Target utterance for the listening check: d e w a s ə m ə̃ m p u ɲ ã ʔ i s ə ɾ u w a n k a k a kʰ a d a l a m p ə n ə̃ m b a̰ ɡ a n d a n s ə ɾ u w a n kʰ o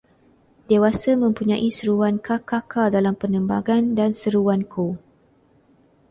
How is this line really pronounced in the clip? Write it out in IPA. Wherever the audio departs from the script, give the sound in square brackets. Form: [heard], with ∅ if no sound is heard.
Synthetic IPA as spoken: d e w a s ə m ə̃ m p u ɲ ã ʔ i s ə ɾ u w a n k a k a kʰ a d a l a m p ə n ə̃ m b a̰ ɡ a n d a n s ə ɾ u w a n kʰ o